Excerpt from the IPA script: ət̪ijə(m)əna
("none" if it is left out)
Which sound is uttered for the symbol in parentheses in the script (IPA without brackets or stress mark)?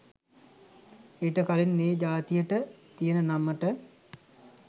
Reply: n